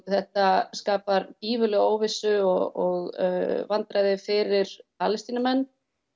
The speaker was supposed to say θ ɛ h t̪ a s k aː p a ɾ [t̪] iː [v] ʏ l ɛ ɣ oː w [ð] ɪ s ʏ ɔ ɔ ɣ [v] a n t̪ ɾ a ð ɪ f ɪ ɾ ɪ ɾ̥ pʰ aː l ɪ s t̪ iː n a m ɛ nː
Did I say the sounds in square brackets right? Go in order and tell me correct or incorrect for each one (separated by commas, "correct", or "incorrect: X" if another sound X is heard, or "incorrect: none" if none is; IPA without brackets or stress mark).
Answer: correct, correct, incorrect: v, correct